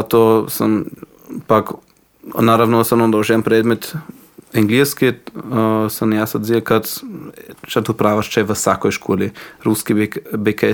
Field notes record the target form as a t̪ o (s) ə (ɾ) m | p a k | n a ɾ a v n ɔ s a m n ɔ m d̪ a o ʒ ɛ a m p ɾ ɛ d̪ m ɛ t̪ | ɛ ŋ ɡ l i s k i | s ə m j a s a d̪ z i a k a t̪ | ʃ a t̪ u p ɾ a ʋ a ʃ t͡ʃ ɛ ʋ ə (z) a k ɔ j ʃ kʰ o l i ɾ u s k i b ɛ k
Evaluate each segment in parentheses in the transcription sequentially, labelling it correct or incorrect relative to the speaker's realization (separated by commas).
correct, incorrect, incorrect